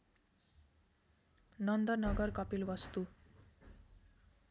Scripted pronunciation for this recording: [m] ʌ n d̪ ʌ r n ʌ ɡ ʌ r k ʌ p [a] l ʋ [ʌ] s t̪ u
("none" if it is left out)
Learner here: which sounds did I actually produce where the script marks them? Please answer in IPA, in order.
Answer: n, i, ʌ

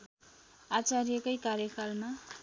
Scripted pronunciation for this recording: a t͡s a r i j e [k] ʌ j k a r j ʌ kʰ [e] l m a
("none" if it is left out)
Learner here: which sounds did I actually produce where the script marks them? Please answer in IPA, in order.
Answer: k, a

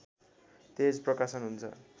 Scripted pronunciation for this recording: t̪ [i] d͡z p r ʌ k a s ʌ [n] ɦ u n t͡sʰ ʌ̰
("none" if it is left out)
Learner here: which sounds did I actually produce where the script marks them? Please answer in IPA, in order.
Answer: e, n

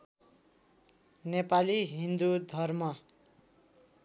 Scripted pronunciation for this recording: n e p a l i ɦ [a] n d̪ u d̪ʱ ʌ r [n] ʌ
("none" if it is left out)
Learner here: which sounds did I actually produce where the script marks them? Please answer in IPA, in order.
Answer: i, m

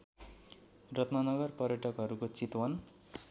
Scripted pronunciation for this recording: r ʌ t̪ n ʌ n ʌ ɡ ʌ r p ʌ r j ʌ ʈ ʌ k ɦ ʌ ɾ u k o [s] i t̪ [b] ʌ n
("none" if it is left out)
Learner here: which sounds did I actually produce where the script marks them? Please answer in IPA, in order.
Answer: t͡s, w

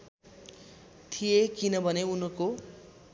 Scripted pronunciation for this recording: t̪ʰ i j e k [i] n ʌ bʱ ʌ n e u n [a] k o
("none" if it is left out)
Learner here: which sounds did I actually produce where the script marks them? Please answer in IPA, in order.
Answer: i, ʌ

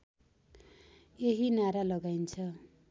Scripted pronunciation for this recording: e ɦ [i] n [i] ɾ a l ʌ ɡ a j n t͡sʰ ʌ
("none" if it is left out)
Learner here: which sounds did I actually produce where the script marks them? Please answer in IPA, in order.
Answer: i, a

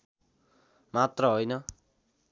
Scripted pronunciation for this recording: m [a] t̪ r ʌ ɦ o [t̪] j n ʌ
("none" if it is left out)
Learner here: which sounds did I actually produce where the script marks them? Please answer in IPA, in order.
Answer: a, none

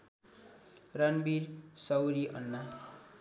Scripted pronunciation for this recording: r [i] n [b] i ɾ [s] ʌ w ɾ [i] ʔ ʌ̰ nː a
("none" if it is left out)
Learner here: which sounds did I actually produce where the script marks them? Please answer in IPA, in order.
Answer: a, b, s, i

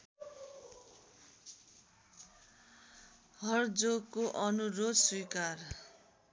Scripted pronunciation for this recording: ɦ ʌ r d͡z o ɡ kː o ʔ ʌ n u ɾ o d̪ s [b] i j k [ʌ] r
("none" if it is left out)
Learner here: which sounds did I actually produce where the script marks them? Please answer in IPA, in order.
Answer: w, a

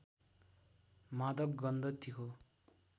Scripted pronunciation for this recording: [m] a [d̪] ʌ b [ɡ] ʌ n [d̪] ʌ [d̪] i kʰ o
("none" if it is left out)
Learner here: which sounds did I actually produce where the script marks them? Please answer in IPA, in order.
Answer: m, d̪, ɡ, d̪, t̪

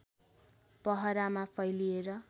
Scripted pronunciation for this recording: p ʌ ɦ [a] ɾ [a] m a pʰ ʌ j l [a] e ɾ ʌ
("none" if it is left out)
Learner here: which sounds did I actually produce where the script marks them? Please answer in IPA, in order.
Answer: ʌ, a, i

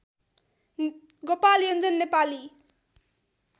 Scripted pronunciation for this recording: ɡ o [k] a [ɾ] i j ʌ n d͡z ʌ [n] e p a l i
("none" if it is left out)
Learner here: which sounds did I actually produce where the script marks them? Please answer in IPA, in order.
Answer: p, l, nː

